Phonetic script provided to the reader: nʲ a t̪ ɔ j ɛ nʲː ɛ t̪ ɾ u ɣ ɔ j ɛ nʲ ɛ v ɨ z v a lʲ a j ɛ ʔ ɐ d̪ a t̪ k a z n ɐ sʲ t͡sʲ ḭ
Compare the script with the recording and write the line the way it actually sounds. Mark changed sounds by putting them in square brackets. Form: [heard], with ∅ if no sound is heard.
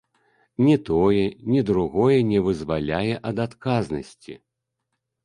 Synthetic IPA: nʲ [ɛ] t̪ ɔ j ɛ [nʲ] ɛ [d̪] ɾ u ɣ ɔ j ɛ nʲ ɛ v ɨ z v a lʲ a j ɛ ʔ ɐ d̪ a t̪ k a z n ɐ sʲ t͡sʲ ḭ